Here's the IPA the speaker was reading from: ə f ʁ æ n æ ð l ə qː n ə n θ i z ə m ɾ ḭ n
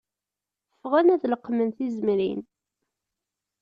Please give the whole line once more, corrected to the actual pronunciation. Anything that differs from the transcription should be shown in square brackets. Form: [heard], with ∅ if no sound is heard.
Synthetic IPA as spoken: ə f ʁ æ n æ ð l ə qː [m] ə n θ i z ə m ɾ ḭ n